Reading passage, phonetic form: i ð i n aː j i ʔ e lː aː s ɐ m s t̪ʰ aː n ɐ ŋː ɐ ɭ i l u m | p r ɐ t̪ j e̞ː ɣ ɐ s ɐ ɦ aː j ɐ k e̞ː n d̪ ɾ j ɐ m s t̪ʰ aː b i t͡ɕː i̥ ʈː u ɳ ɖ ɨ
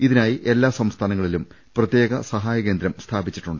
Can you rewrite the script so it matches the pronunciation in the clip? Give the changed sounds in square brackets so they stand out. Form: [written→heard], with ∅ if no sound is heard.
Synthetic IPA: i ð i n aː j i ʔ e lː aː s ɐ m s t̪ʰ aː n ɐ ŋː ɐ ɭ i l u m | p r ɐ t̪ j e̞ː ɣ ɐ s ɐ ɦ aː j ɐ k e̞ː n d̪ ɾ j ɐ m s t̪ʰ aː b i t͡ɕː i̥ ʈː u ɳ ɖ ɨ